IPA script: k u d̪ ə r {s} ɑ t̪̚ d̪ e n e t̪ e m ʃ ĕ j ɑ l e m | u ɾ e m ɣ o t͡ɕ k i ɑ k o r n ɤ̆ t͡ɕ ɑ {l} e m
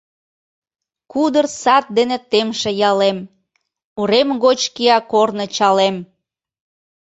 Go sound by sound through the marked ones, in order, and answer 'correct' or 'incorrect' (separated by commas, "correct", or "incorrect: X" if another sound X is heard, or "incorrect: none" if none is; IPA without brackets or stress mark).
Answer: correct, correct